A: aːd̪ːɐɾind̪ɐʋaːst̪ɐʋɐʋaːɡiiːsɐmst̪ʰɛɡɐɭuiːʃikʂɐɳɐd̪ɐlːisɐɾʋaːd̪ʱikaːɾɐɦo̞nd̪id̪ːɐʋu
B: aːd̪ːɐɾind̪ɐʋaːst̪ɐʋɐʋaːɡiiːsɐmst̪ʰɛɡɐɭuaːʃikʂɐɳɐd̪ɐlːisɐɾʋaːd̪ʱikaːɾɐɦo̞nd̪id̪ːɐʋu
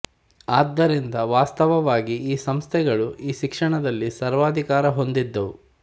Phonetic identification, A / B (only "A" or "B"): A